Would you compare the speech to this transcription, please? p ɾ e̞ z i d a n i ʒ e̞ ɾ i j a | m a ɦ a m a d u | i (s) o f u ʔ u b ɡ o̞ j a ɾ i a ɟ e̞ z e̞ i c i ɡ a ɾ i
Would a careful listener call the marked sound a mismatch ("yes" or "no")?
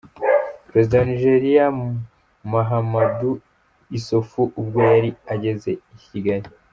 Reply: no